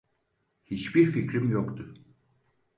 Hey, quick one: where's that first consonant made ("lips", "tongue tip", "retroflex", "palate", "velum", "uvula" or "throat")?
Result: throat